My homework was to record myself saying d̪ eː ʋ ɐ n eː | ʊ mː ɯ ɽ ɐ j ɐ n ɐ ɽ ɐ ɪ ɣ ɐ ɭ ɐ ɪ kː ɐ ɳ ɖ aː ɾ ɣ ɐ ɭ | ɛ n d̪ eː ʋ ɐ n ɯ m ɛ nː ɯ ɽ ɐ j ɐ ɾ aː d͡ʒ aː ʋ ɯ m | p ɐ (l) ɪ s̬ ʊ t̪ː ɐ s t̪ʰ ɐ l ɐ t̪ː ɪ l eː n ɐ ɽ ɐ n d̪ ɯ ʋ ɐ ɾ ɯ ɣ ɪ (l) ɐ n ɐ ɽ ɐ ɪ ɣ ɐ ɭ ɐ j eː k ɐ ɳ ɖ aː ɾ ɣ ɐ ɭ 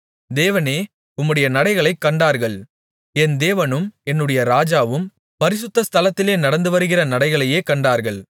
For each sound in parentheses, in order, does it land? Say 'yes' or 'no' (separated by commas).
no, no